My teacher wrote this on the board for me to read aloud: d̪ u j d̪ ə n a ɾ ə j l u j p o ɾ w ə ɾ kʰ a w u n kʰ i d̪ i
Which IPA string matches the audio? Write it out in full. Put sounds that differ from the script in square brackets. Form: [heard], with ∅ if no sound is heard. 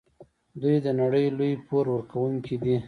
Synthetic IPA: d̪ u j d̪ ə n a [ɽ] ə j l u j p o ɾ w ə ɾ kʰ a w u [ŋ] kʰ i d̪ i

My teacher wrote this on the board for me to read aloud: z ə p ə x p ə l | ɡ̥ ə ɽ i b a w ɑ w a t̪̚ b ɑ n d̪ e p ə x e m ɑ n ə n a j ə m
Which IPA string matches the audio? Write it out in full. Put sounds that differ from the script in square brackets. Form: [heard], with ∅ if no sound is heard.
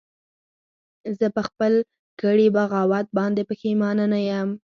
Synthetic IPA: z ə p ə x p ə l | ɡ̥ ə ɽ i b a [ɣ] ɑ w a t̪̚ b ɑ n d̪ e p ə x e m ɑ n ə n a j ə m

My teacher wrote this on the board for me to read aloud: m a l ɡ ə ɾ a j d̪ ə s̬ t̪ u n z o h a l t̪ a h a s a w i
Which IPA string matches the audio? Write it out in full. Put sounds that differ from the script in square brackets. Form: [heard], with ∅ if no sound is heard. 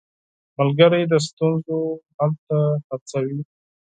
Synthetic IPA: m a l ɡ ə ɾ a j d̪ ə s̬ t̪ u n z o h a l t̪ a h a [t͡s] a w i

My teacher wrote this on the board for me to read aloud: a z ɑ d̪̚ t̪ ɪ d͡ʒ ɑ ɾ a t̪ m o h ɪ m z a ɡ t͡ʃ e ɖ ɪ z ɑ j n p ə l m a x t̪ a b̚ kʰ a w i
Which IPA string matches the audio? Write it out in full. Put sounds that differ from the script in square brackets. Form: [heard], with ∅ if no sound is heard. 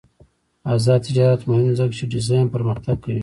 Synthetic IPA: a z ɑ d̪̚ t̪ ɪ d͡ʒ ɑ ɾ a t̪ m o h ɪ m z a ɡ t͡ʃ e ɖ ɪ z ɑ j n p ə [ɾ] m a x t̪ a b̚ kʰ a w i

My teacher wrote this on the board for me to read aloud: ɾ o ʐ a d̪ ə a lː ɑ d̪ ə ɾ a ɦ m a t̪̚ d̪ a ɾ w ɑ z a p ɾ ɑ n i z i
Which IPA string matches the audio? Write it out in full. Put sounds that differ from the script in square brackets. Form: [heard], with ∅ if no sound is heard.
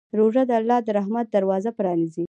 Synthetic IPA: ɾ o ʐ a d̪ ə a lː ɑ d̪ ə ɾ a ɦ m a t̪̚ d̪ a ɾ w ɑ z a p ɾ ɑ n i z i

